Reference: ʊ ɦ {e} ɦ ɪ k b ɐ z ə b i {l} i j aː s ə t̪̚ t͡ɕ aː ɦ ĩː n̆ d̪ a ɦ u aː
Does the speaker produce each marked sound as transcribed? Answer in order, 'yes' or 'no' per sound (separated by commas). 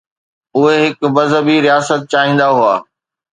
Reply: yes, no